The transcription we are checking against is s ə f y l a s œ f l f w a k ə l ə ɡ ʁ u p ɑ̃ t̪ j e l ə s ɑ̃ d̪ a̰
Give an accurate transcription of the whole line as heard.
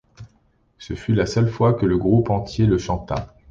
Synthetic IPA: s ə f y l a s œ l f w a k ə l ə ɡ ʁ u p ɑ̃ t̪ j e l ə ʃ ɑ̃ t̪ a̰

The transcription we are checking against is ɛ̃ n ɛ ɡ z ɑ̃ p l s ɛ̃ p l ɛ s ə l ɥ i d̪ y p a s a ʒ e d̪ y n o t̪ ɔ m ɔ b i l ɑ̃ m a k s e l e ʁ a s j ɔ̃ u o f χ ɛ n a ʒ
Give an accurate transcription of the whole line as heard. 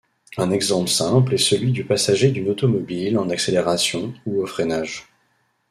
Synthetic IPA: ɛ̃ n ɛ ɡ z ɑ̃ p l s ɛ̃ p l ɛ s ə l ɥ i d̪ y p a s a ʒ e d̪ y n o t̪ ɔ m ɔ b i l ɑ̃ n a k s e l e ʁ a s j ɔ̃ u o f χ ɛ n a ʒ

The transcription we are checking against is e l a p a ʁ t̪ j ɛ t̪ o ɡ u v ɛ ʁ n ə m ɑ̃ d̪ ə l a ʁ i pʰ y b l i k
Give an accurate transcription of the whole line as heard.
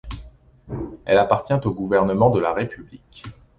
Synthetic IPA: ɛ l a p a ʁ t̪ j ɛ̃ t̪ o ɡ u v ɛ ʁ n ə m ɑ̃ d̪ ə l a ʁ e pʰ y b l i k

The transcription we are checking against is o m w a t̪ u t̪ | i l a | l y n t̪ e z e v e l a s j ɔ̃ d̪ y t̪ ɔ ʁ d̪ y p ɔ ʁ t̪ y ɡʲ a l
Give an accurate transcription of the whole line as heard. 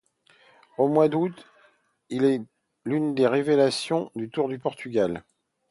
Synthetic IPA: o m w a d̪ u t̪ | i l ɛ | l y n d̪ e ʁ e v e l a s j ɔ̃ d̪ y t̪ u ʁ d̪ y p ɔ ʁ t̪ y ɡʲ a l

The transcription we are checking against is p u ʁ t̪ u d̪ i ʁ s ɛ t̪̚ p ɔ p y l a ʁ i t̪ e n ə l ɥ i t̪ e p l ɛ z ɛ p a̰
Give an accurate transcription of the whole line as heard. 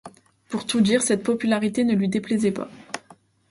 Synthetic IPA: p u ʁ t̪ u d̪ i ʁ s ɛ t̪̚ p ɔ p y l a ʁ i t̪ e n ə l ɥ i d̪ e p l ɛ z ɛ p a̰

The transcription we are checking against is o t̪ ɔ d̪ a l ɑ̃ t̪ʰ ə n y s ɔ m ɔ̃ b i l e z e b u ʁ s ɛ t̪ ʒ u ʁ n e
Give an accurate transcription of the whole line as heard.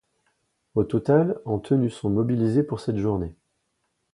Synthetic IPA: o t̪ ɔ t̪ a l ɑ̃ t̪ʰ ə n y s ɔ̃ m ɔ b i l i z e p u ʁ s ɛ t̪ ʒ u ʁ n e

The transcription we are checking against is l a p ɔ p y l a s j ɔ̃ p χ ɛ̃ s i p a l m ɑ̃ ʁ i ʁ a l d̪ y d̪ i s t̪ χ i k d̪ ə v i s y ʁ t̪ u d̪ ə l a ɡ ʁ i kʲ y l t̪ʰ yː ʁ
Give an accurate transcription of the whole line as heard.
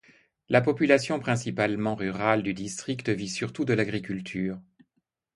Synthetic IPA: l a p ɔ p y l a s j ɔ̃ p χ ɛ̃ s i p a l m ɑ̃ ʁ y ʁ a l d̪ y d̪ i s t̪ χ i k t̪ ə v i s y ʁ t̪ u d̪ ə l a ɡ ʁ i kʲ y l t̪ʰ yː ʁ

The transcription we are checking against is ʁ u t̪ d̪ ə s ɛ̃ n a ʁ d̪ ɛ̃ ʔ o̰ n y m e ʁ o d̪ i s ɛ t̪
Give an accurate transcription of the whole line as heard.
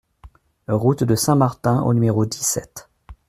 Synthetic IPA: ʁ u t̪ d̪ ə s ɛ̃ m a ʁ t̪ ɛ̃ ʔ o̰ n y m e ʁ o d̪ i s ɛ t̪

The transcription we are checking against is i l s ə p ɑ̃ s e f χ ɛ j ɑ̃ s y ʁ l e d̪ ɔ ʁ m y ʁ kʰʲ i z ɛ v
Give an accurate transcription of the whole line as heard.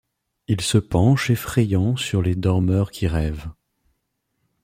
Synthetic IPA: i l s ə p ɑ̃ ʃ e f χ ɛ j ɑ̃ s y ʁ l e d̪ ɔ ʁ m œ ʁ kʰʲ i ʁ ɛ v

